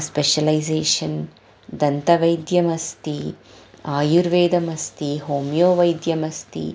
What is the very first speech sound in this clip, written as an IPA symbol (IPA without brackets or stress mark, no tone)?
s